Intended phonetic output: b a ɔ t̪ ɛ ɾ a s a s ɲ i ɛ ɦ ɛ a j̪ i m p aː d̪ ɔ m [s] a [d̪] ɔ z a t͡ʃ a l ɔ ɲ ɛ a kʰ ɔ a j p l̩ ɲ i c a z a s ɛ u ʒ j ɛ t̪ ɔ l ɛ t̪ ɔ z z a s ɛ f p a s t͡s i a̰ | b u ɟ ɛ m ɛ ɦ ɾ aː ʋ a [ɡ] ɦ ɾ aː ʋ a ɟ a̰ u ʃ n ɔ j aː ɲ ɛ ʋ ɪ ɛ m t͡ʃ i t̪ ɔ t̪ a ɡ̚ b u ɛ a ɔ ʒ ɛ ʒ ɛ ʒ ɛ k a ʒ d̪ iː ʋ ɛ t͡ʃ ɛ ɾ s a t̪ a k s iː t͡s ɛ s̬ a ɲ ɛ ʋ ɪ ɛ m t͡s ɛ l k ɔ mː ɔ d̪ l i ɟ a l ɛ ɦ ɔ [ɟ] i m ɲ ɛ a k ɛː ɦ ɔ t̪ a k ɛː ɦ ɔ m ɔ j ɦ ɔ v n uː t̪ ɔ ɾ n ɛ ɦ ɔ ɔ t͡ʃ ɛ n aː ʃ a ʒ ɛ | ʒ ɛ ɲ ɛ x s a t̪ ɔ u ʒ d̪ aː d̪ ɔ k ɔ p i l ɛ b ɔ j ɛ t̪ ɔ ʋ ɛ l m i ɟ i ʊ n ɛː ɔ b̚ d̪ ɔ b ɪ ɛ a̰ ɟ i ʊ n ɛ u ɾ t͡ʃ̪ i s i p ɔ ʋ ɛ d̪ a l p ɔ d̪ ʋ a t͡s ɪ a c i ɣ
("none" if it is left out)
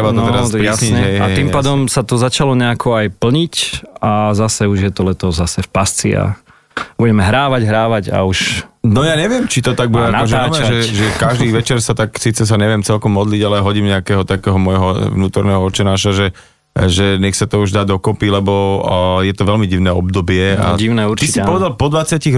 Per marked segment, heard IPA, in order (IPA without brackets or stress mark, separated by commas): s, t̪, ɟ, ɟ